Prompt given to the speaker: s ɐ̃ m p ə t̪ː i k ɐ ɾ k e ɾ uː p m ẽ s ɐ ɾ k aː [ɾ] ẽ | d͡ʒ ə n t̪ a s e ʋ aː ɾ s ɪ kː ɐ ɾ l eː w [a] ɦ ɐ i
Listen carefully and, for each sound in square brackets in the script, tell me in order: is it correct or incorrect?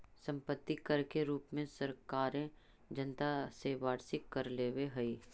correct, incorrect: e

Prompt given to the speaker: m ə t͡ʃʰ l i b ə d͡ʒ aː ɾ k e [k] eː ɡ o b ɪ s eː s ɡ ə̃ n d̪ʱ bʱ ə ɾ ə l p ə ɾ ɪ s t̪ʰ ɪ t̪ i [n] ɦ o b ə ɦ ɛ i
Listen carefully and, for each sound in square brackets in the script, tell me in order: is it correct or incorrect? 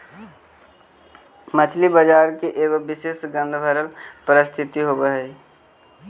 incorrect: ʔ, incorrect: none

